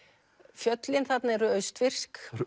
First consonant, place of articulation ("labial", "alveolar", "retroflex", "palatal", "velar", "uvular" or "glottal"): labial